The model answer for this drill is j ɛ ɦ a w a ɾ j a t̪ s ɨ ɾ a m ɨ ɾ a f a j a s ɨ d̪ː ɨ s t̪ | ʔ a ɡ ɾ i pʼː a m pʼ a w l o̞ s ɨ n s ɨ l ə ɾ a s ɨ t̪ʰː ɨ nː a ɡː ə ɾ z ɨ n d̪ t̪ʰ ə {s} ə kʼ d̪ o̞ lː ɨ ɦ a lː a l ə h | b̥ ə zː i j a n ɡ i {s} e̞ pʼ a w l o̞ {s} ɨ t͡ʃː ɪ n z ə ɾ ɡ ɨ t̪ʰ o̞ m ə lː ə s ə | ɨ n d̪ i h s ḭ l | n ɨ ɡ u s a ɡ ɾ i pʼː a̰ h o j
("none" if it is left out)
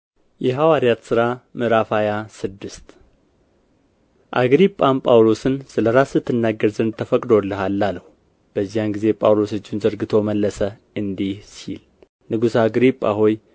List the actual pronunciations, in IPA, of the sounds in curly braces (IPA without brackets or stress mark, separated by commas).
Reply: f, z, s